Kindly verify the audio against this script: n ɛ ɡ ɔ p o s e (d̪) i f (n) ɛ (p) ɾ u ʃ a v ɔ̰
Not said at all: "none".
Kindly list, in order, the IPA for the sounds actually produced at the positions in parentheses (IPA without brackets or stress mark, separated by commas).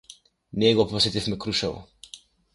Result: t̪, m, k